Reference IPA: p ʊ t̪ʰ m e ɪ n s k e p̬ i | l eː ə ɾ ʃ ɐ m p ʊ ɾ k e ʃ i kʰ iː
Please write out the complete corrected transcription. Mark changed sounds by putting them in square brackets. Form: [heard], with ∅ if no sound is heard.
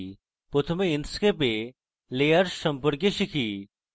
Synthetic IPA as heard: p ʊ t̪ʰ m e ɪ n s k e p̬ [e] | l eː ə ɾ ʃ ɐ m p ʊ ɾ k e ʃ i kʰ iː

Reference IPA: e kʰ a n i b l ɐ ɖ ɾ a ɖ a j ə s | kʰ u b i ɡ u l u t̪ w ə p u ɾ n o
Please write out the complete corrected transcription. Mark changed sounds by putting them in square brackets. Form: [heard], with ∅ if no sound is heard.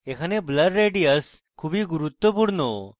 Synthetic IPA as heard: e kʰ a n [e] b l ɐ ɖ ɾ [e] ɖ [i] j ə s | kʰ u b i ɡ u [ɾ] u t̪ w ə p u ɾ n o

